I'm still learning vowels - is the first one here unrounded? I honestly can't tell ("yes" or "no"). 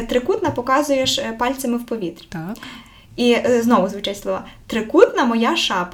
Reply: yes